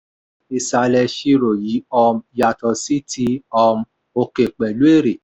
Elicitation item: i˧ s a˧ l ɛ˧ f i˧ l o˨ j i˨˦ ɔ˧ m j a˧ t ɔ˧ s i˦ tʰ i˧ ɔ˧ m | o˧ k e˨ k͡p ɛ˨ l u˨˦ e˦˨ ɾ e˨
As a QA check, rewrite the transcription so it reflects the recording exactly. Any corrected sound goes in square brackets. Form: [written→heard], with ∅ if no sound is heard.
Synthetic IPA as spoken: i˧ s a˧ l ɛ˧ [f→ʃ] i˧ [l→ɾ] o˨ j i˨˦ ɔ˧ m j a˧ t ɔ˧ s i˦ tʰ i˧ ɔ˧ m | o˧ k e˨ k͡p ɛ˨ l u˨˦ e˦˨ ɾ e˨